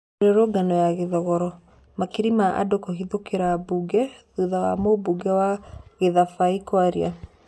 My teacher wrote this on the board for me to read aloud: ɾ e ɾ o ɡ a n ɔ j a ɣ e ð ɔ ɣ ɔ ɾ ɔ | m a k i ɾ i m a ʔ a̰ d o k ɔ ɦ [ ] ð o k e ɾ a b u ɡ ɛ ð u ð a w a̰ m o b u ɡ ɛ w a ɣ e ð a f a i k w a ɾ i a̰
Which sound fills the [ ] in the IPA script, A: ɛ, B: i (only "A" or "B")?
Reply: B